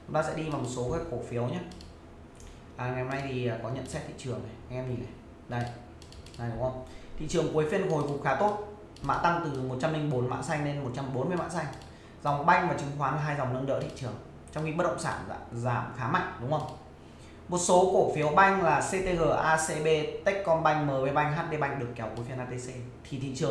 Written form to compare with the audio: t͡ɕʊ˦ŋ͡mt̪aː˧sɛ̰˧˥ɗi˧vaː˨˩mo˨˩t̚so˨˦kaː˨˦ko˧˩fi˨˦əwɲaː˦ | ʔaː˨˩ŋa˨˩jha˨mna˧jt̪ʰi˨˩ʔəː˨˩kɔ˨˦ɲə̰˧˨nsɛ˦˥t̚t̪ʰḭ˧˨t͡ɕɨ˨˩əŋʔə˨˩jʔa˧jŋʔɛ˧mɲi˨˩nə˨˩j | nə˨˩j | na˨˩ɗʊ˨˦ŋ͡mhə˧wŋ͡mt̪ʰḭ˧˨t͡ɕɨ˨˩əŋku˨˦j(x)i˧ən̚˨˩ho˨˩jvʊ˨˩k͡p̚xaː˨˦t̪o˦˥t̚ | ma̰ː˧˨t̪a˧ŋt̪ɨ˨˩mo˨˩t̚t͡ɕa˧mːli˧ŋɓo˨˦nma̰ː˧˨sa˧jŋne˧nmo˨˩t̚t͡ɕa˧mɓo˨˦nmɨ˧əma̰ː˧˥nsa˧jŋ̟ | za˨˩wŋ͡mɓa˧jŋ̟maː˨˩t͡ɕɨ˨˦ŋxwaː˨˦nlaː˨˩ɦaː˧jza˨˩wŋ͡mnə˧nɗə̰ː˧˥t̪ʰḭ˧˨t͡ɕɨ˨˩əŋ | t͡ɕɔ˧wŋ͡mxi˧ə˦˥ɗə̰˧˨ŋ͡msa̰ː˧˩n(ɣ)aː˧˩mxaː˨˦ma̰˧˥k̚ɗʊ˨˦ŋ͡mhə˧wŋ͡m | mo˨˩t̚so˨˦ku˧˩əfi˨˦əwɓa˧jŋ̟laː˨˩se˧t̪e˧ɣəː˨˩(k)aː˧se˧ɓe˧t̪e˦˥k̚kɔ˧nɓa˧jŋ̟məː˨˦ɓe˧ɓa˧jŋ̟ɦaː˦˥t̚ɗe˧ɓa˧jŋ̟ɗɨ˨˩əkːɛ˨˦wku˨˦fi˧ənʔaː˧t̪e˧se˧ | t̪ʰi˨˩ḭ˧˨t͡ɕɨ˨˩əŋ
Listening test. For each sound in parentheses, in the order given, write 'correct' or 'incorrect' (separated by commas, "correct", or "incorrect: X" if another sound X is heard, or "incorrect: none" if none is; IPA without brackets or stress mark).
incorrect: f, incorrect: z, incorrect: ʔ